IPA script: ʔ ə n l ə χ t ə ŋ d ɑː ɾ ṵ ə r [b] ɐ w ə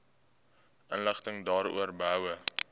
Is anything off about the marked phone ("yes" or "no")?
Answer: no